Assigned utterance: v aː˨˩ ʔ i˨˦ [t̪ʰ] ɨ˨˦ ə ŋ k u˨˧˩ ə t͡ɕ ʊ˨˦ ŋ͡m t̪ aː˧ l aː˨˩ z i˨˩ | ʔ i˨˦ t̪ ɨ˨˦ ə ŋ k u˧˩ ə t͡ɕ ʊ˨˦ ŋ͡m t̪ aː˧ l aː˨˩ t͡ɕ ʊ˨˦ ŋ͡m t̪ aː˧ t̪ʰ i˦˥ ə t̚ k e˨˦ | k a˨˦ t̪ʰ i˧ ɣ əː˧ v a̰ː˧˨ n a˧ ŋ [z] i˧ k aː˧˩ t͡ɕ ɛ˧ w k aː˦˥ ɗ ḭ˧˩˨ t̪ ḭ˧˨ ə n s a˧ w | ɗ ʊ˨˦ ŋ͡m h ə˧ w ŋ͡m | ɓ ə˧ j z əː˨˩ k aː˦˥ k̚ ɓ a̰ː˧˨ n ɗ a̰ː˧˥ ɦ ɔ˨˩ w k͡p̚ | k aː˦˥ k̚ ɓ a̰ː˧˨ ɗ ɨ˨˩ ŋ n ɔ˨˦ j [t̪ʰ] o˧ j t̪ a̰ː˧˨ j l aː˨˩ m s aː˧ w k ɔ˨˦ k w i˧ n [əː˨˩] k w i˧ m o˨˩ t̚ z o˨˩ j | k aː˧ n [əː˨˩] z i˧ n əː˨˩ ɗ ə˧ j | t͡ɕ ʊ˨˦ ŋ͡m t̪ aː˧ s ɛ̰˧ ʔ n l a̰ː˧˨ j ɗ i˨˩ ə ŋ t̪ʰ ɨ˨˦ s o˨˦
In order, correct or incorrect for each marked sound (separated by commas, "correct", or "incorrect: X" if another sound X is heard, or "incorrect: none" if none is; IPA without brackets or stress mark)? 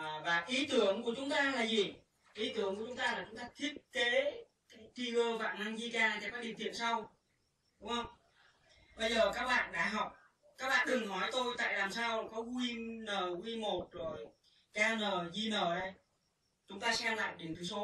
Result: incorrect: t̪, correct, incorrect: t̪, correct, correct